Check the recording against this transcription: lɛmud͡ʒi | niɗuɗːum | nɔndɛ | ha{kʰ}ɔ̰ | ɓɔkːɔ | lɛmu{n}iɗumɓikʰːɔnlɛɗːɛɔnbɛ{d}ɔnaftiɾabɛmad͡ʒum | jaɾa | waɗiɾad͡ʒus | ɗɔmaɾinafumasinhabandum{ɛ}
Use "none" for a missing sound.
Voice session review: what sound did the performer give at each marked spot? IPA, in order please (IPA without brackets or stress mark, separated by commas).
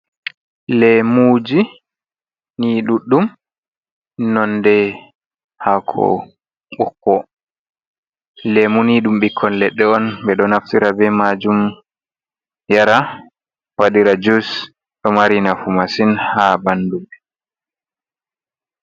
kʰ, n, ɗ, ɛ